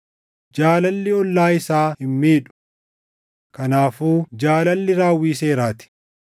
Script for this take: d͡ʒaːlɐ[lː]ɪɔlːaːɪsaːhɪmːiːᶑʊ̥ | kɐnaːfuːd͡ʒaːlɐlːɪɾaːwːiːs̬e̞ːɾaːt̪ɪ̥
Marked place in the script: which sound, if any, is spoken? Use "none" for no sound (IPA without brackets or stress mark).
lː